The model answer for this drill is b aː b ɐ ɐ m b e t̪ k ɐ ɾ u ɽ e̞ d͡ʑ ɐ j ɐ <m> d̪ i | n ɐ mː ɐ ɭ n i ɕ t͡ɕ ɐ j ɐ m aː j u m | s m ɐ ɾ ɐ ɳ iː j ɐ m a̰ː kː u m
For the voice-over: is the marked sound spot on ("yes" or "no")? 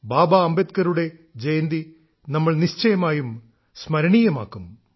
no